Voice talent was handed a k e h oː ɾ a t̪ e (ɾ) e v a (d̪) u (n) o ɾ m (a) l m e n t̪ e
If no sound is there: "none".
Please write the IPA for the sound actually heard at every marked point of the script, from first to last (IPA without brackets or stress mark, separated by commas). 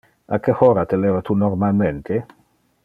l, t̪, n, a